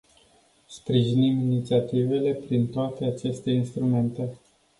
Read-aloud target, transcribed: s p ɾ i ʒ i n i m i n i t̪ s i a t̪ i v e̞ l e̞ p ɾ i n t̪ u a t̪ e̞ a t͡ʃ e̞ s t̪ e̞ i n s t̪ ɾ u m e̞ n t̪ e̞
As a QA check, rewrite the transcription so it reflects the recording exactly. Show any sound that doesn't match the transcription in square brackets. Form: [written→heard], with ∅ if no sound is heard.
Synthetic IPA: s p ɾ i ʒ i n i m i n i t̪ s i a t̪ i v e̞ l e̞ p ɾ i n t̪ [u→o] a t̪ e̞ a t͡ʃ e̞ s t̪ e̞ i n s t̪ ɾ u m e̞ n t̪ e̞